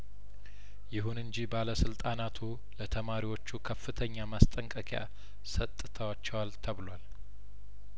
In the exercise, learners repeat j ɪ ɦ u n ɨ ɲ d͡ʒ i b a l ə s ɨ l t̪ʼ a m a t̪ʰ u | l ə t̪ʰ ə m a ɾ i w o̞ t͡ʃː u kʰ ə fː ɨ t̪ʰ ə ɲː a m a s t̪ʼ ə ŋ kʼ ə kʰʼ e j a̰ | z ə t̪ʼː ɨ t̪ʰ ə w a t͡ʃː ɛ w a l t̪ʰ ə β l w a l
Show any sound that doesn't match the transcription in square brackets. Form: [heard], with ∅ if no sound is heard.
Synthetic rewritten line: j ɪ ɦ u n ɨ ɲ d͡ʒ i b a l ə s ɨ l t̪ʼ a [n] a t̪ʰ u | l ə t̪ʰ ə m a ɾ i w o̞ t͡ʃː u kʰ ə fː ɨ t̪ʰ ə ɲː a m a s t̪ʼ ə ŋ kʼ ə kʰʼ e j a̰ | [s] ə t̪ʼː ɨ t̪ʰ ə w a t͡ʃː ɛ w a l t̪ʰ ə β l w a l